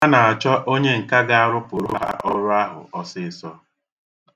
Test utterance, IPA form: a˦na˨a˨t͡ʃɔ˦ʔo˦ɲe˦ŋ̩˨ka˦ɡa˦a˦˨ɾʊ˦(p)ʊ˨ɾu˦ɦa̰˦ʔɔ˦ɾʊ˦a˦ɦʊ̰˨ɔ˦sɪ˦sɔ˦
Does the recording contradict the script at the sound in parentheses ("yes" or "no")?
no